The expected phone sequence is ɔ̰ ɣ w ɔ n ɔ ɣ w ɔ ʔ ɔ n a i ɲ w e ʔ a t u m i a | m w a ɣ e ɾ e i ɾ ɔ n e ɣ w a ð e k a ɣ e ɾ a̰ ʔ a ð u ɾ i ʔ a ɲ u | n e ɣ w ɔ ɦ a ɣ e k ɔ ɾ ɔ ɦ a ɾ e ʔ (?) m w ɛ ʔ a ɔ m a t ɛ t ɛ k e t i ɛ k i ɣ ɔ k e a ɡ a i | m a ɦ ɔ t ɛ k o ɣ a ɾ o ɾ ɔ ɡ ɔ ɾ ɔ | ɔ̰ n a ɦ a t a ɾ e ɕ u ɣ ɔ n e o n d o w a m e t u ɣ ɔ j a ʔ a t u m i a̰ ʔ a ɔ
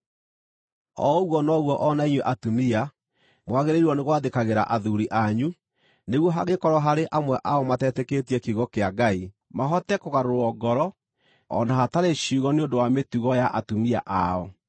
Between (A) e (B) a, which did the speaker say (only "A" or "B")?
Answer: B